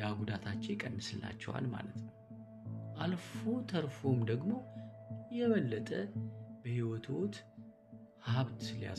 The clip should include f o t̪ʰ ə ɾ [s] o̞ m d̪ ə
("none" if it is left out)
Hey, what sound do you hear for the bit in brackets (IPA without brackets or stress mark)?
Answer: f